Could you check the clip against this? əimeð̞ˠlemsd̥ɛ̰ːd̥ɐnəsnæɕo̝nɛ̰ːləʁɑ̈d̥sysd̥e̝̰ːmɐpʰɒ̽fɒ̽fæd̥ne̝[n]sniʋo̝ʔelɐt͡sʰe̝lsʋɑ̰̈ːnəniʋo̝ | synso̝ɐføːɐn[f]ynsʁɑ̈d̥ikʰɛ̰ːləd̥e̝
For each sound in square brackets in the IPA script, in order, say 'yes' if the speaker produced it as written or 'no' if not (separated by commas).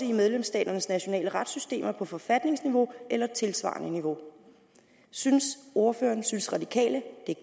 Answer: no, no